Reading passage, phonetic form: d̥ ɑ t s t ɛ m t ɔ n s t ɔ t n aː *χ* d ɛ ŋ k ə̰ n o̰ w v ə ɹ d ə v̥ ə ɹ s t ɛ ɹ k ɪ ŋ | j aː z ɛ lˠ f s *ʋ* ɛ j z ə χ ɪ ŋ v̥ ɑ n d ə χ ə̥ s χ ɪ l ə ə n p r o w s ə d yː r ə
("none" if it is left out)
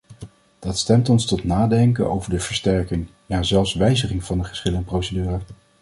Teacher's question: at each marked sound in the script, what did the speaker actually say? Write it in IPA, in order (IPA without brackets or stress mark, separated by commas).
none, ʋ